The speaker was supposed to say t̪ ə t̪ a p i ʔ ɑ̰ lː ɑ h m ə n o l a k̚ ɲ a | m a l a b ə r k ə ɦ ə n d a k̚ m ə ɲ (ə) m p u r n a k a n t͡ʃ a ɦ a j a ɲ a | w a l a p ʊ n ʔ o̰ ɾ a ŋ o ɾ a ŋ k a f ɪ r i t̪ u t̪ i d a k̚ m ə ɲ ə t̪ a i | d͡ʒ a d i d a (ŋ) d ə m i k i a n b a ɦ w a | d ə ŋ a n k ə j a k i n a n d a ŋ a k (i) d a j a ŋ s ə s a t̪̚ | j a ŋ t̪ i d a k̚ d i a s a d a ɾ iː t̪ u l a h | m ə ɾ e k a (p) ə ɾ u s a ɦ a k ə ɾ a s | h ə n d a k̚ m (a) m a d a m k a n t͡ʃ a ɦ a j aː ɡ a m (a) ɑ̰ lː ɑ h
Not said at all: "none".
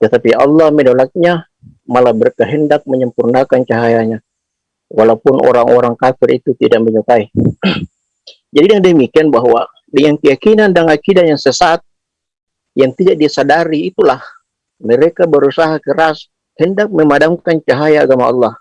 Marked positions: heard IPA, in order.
ə, ŋ, i, b, ə, a

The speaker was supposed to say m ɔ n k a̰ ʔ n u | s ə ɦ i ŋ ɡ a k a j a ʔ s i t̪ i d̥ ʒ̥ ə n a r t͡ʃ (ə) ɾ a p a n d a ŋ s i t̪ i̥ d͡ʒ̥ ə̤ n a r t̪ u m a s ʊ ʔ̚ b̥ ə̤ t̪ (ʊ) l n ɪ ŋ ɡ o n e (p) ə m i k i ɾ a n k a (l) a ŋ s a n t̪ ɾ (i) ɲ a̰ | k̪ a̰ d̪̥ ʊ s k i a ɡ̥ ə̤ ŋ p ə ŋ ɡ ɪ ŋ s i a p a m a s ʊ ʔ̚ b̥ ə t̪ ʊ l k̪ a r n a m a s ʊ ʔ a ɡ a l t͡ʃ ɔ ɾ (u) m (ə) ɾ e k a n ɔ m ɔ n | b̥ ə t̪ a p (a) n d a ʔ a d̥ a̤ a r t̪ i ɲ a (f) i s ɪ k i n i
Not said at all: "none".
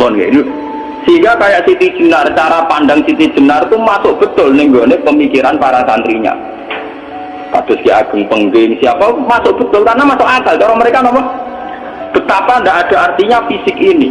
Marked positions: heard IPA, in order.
a, ʊ, p, ɾ, i, ɔ, ə, a, f

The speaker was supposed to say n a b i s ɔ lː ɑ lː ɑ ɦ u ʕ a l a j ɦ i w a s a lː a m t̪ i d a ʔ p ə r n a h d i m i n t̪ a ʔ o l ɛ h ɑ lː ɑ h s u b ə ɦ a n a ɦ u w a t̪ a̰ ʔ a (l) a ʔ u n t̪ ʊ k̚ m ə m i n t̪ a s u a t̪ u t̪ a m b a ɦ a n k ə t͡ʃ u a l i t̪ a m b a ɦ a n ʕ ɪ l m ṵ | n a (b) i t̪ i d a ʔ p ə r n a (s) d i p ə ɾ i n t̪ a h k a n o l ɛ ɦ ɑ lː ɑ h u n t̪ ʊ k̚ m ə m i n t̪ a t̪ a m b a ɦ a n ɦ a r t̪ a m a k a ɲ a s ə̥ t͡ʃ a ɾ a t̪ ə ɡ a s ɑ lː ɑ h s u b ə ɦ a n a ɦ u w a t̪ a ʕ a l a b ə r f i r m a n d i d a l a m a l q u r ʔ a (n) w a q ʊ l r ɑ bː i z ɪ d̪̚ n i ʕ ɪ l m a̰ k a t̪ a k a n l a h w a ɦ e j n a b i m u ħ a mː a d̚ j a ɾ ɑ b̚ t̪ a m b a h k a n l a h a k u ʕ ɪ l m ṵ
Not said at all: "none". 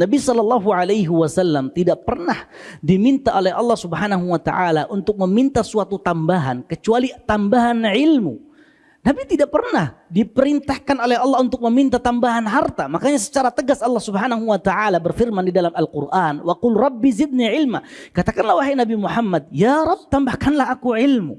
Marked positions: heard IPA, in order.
l, b, h, n

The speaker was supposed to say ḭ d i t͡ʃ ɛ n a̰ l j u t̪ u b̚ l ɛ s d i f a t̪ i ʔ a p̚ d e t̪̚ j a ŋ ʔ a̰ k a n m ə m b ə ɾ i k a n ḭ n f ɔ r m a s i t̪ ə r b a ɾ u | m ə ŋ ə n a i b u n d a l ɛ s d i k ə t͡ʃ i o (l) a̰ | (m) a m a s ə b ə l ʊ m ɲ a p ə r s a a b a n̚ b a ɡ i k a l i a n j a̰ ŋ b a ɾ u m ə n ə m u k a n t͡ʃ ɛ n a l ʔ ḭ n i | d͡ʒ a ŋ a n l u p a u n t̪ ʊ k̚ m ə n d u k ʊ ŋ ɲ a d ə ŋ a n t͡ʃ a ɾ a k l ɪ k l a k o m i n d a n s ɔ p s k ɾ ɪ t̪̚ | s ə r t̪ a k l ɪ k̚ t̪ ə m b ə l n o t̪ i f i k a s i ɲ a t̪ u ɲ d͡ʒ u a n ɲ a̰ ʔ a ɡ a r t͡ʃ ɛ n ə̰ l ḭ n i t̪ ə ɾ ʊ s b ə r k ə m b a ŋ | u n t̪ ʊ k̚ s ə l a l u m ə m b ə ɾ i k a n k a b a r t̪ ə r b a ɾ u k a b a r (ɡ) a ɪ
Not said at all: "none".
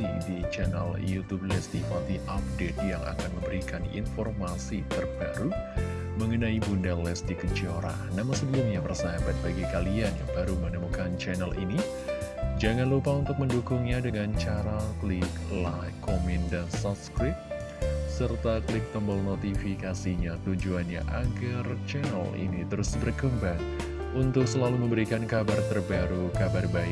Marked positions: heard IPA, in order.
ɾ, n, b

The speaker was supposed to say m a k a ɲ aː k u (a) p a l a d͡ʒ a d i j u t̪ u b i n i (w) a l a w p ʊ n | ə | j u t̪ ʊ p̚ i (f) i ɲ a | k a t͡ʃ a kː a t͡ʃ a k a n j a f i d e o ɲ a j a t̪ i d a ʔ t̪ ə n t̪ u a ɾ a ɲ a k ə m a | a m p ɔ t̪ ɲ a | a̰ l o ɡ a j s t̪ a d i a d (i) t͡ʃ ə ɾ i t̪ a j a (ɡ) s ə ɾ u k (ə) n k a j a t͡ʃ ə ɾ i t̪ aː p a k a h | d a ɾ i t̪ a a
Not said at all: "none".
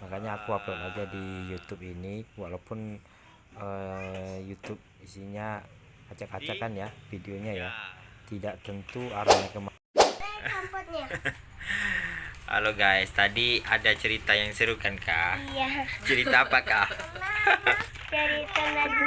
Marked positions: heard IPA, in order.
a, w, s, a, ŋ, a

